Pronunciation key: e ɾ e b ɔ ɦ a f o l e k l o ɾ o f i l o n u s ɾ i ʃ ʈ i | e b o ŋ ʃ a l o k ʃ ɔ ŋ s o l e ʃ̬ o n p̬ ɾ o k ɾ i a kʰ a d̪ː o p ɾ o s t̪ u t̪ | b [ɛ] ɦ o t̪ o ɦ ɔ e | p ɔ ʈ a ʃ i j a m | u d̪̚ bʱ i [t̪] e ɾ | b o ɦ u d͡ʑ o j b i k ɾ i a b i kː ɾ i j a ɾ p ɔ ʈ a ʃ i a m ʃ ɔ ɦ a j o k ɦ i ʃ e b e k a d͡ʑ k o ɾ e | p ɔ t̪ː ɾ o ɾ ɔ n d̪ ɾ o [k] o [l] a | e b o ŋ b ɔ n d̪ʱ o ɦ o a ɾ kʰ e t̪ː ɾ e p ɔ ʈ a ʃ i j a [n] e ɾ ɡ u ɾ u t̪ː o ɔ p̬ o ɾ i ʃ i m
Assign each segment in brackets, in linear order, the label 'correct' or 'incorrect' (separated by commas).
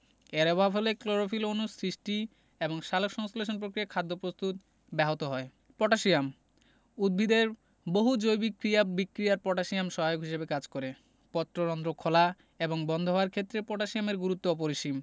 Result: correct, incorrect, incorrect, correct, incorrect